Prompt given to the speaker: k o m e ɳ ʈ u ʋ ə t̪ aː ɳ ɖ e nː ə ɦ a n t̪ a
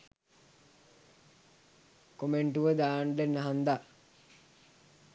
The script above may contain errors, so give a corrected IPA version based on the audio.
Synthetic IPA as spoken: k o m e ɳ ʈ u ʋ ə d̪ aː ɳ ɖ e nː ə ɦ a n d̪ a